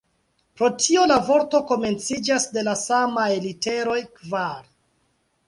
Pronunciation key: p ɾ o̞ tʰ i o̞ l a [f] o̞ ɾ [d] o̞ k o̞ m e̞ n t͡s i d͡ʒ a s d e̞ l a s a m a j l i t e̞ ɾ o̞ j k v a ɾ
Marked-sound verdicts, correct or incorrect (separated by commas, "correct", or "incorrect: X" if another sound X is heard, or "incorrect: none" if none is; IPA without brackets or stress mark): incorrect: v, incorrect: t